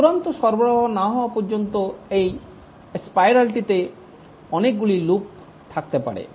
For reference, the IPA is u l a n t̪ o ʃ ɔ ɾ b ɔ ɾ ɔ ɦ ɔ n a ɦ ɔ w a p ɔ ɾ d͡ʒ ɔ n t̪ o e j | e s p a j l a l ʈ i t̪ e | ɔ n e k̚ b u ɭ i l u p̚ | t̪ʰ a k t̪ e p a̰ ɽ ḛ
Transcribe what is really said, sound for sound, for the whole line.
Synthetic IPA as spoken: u ɾ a n t̪ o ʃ ɔ ɾ b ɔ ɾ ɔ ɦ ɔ n a ɦ ɔ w a p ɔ ɾ d͡ʒ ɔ n t̪ o e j | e s p a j ɾ a l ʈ i t̪ e | ɔ n e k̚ ɡ u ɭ i l u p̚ | t̪ʰ a k t̪ e p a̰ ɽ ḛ